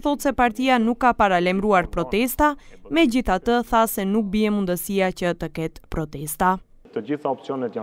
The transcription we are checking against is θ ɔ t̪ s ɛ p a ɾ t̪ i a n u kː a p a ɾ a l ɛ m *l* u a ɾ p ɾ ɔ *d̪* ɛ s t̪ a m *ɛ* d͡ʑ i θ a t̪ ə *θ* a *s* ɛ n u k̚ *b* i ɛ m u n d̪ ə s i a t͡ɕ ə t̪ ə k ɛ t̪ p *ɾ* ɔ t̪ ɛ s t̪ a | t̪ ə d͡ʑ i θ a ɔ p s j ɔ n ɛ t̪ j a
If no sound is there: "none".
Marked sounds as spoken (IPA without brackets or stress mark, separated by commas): ɾ, t̪, ɛ, θ, s, b, ɾ